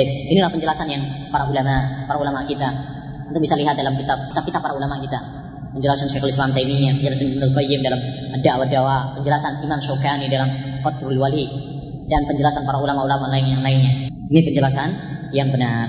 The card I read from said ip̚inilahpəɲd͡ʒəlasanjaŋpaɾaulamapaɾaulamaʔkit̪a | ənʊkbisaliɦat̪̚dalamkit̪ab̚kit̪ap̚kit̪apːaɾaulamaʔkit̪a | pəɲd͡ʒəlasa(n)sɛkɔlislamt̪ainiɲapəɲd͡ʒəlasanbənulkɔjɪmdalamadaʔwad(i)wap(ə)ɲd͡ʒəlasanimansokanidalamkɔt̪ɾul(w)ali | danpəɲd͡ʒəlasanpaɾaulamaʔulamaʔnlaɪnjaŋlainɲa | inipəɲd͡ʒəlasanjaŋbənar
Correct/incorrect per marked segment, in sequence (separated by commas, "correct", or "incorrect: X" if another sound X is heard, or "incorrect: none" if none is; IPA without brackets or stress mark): correct, incorrect: a, correct, correct